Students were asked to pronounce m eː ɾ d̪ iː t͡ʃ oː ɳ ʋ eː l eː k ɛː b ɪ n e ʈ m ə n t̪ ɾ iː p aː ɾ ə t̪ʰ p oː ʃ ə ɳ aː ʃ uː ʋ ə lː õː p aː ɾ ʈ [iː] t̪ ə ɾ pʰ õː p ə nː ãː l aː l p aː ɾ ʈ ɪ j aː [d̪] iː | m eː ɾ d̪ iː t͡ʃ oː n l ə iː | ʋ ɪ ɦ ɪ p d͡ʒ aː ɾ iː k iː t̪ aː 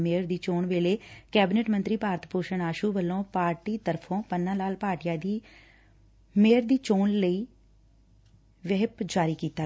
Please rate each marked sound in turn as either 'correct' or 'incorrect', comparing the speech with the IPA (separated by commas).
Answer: correct, correct